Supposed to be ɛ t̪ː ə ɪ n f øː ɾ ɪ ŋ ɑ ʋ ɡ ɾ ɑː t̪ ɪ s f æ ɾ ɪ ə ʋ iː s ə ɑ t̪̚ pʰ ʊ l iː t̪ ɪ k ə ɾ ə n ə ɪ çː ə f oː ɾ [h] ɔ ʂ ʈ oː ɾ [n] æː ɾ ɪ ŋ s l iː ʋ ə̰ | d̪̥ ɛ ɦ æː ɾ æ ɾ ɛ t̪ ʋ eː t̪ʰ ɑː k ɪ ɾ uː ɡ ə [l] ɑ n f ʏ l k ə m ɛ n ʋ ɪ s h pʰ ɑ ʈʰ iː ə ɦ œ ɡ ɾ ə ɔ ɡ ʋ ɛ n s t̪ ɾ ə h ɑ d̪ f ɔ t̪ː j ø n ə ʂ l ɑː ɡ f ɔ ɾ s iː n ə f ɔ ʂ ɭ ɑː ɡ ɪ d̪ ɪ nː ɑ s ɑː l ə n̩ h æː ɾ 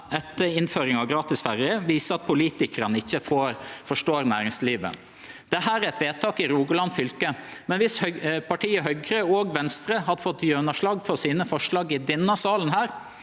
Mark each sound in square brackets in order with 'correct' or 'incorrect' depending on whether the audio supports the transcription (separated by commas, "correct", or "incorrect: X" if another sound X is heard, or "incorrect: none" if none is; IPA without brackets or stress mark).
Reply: incorrect: f, correct, correct